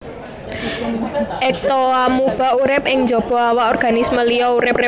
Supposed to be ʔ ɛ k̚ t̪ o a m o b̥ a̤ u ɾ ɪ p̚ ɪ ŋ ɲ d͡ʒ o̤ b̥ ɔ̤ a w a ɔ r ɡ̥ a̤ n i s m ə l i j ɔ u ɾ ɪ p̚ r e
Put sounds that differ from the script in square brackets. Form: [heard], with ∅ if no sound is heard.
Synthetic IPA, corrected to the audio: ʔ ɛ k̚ t̪ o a m [u] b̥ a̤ u ɾ ɪ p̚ ɪ ŋ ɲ d͡ʒ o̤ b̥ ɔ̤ a w a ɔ r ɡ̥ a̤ n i s m ə l i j ɔ u ɾ ɪ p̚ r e